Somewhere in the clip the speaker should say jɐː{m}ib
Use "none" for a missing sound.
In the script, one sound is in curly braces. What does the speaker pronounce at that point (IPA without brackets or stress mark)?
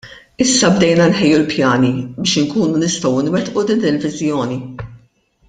n